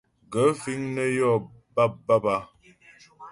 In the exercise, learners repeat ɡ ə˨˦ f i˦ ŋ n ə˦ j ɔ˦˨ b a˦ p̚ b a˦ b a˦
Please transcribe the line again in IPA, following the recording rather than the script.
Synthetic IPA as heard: ɡ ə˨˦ f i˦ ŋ n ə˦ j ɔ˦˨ b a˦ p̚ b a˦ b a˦